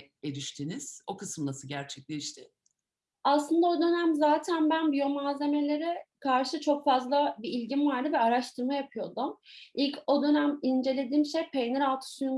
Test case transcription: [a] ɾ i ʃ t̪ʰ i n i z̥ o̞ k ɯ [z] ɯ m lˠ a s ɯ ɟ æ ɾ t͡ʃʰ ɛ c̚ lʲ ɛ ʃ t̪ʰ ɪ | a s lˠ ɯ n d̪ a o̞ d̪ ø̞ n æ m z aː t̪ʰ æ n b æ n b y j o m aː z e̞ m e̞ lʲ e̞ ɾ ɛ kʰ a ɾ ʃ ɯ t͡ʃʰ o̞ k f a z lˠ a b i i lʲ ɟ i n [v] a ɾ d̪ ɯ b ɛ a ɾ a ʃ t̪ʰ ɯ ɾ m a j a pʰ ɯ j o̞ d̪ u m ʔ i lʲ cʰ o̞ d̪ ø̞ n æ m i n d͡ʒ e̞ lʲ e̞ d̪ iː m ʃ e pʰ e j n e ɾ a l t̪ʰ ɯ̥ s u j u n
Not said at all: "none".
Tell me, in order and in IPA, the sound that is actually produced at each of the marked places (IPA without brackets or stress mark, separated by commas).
e, s, v